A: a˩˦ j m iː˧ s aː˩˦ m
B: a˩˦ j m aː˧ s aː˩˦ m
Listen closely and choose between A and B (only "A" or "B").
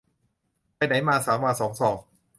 B